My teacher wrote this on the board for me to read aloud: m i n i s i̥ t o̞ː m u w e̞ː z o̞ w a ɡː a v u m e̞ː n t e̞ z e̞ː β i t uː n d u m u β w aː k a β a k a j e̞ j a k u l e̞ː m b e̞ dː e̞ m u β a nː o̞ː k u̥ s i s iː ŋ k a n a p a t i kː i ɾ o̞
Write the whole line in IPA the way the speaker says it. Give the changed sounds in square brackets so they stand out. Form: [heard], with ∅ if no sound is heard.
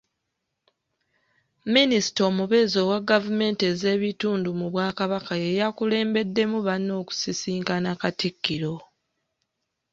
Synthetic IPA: m i n i s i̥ t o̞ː m u [β] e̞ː z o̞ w a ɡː a v u m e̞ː n t e̞ z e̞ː β i t uː n d u m u β w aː k a β a k a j e̞ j a k u l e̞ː m b e̞ dː e̞ m u β a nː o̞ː k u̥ s i s iː ŋ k a n a [k] a t i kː i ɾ o̞